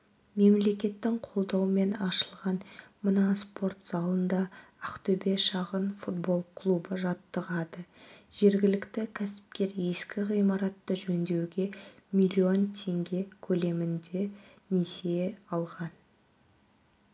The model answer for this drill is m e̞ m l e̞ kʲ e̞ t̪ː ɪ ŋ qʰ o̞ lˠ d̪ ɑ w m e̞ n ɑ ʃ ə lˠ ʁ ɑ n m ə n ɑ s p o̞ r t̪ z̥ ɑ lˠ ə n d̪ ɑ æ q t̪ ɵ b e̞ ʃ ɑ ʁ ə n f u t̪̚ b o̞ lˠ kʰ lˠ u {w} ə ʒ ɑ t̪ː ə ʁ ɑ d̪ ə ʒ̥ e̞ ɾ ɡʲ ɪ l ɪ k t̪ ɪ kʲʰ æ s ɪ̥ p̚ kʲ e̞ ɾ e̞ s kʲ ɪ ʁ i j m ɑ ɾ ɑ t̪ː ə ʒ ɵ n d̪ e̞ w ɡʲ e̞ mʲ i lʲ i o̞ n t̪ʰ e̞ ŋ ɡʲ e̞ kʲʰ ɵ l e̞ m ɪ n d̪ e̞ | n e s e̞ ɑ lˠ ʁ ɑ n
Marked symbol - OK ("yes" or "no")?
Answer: no